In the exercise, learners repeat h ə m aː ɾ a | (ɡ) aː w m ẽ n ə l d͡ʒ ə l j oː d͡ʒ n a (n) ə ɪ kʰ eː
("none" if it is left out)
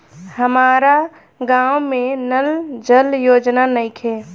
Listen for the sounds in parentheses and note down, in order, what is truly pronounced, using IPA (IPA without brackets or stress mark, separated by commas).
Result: ɡ, n